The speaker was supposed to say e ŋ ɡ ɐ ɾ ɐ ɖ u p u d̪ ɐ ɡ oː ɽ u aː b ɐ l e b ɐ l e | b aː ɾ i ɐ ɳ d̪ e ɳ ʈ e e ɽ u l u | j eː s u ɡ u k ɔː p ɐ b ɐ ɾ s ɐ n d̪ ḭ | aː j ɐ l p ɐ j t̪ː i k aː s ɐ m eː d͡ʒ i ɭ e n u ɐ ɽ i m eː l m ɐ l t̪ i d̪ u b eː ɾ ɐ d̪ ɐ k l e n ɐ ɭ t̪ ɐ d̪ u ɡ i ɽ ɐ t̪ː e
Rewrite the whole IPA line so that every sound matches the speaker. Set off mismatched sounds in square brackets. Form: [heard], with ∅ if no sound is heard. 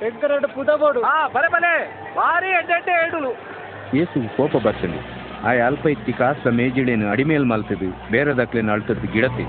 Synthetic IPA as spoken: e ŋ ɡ ɐ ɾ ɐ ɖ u p u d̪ ɐ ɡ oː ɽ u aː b ɐ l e b ɐ l e | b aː ɾ i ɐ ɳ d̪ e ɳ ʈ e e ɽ u l u | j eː s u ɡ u k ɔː p ɐ b ɐ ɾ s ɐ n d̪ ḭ | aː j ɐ l p ɐ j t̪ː i k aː s ɐ m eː d͡ʒ i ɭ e n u ɐ ɽ i m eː l m ɐ l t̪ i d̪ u b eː ɾ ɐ d̪ ɐ k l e n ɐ ɭ t̪ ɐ d̪ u ɡ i ɽ ɐ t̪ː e